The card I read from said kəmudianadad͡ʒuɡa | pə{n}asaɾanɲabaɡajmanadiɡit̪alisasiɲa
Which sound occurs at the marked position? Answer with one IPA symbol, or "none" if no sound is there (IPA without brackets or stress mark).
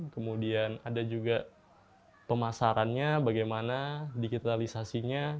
m